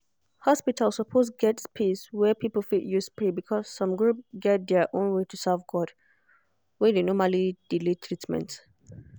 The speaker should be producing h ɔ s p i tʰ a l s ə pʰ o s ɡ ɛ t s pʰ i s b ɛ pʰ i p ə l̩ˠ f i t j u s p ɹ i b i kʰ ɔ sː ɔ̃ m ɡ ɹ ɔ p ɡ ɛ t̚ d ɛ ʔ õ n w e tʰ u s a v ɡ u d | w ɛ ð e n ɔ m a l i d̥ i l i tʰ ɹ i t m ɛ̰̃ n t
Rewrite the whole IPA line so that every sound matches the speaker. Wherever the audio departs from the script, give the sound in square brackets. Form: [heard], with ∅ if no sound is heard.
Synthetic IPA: h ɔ s p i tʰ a l s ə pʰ o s ɡ ɛ t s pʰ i s [w] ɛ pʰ i p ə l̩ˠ f i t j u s p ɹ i b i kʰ ɔ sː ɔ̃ m ɡ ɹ [u] p ɡ ɛ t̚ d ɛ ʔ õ n w e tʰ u s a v ɡ [ɔ] d | w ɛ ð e n ɔ m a l i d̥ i l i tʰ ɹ i t m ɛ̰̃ n t